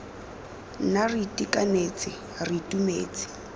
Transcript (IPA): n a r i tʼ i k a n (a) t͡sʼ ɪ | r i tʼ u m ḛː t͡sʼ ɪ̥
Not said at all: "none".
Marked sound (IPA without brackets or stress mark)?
e